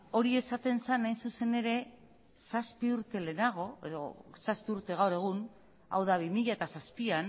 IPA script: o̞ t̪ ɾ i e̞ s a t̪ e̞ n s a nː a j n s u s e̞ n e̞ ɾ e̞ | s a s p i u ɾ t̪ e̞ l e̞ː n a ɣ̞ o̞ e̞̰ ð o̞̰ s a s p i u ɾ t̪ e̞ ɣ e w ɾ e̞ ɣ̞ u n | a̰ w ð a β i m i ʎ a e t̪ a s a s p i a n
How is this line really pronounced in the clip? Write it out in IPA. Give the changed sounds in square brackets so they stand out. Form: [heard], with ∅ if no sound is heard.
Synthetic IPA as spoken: o̞ [∅] ɾ i e̞ s a t̪ e̞ n s a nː a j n s u s e̞ n e̞ ɾ e̞ | s a s p i u ɾ t̪ e̞ l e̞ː n a ɣ̞ o̞ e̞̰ ð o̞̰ s a s p i u ɾ t̪ e̞ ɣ [a] w ɾ e̞ ɣ̞ u n | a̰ w ð a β i m i ʎ a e t̪ a s a s p i a n